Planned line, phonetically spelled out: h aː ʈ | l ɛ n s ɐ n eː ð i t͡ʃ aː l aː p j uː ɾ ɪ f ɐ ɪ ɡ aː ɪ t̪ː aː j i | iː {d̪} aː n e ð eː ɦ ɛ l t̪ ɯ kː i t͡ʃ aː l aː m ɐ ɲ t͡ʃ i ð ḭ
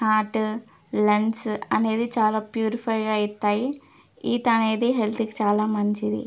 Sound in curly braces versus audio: incorrect: t̪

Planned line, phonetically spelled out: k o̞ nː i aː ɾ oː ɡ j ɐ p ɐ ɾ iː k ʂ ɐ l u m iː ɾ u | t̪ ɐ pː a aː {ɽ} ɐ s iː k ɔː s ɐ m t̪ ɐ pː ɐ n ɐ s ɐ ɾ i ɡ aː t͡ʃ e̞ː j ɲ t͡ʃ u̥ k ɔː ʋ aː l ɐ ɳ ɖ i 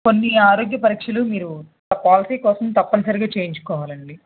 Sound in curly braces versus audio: incorrect: l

